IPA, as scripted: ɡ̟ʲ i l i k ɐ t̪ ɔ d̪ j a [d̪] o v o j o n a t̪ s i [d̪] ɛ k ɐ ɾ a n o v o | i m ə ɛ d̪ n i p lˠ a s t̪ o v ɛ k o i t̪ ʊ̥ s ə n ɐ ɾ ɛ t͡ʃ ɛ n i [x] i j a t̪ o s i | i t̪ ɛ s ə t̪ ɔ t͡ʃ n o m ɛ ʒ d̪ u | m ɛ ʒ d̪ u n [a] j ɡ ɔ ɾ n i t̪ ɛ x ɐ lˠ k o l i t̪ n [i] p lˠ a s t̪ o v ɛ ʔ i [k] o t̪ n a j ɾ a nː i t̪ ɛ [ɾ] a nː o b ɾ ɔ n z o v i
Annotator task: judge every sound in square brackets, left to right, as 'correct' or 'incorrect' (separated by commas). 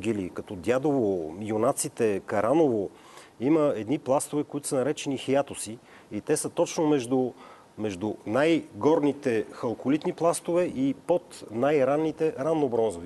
correct, incorrect, correct, correct, correct, incorrect, correct